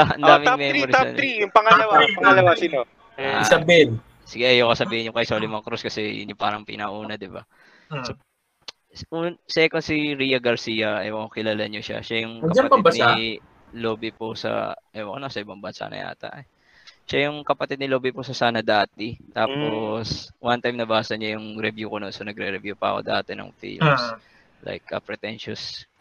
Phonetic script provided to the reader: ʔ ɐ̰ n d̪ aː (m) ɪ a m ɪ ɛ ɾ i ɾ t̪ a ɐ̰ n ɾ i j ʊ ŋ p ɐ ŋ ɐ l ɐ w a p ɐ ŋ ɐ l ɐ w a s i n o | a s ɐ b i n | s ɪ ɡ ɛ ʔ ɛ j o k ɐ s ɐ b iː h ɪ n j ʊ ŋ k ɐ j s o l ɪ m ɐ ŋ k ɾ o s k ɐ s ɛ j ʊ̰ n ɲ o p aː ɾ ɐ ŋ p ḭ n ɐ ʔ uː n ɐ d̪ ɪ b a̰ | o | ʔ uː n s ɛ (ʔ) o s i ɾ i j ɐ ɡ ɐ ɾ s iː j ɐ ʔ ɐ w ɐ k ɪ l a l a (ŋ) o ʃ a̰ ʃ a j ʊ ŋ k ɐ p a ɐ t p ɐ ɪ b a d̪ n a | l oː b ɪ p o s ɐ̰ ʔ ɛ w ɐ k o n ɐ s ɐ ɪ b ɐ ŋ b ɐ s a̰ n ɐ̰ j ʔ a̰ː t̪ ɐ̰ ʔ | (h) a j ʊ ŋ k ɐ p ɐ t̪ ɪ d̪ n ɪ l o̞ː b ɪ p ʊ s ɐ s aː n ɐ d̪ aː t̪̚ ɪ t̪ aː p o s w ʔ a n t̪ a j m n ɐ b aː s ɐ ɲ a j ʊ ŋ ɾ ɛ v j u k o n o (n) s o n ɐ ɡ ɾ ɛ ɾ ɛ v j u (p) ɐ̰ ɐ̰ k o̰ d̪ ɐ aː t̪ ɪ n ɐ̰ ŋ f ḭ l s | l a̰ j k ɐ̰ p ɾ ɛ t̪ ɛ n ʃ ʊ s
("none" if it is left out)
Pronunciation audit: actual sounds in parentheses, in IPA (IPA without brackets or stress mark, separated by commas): m, k, ɲ, ʃ, n, p